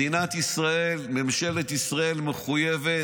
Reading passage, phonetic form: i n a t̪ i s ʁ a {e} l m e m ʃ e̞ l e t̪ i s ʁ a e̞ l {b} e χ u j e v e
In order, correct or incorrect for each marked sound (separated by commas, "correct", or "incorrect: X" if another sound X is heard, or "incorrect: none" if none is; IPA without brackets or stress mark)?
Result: correct, incorrect: m